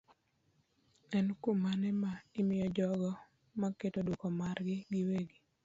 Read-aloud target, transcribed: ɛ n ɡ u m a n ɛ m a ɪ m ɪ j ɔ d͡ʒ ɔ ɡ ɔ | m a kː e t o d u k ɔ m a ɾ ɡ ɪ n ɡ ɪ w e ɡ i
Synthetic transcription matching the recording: ɛ n k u m a n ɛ m a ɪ m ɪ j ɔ d͡ʒ ɔ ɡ ɔ | m a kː e t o d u k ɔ m a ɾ ɡ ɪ ɡ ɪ w e ɡ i